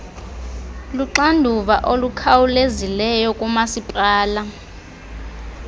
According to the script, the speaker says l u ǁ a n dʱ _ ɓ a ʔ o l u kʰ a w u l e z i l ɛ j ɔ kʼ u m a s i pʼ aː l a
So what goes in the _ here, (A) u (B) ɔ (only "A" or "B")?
A